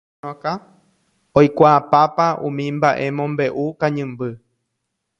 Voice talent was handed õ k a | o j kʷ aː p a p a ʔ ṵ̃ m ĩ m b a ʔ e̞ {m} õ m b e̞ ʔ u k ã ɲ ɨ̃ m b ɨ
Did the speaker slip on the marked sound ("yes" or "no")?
no